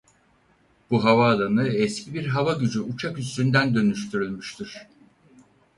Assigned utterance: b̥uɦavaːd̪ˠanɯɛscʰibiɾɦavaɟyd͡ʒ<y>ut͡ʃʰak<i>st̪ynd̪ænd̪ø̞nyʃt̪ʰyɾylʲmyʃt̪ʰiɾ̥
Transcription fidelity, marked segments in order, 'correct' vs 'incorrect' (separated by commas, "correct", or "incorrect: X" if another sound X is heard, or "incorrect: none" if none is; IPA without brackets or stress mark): correct, incorrect: y